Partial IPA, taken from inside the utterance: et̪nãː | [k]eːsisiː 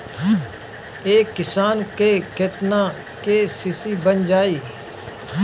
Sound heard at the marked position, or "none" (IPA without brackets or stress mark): k